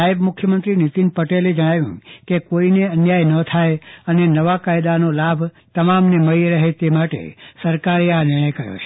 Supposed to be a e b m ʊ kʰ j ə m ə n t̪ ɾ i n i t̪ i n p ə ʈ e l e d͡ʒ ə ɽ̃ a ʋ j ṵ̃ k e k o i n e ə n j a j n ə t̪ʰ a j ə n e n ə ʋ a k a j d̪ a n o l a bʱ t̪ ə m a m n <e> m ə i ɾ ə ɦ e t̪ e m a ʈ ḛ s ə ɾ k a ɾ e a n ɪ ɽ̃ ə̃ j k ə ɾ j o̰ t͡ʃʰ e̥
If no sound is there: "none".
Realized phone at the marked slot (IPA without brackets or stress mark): e